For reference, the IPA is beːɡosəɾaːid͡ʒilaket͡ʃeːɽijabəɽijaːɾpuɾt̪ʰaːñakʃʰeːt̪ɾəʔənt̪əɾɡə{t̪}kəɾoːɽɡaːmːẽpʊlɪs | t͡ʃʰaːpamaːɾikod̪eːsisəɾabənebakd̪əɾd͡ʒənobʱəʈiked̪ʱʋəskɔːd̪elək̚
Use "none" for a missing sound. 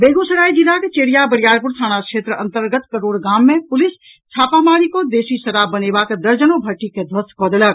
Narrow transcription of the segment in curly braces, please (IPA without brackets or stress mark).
t̪